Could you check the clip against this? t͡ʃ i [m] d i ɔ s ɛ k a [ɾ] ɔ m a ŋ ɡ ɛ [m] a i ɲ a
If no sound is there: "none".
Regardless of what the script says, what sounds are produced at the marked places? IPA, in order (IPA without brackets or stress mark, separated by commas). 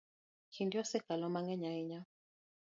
n, l, ɲ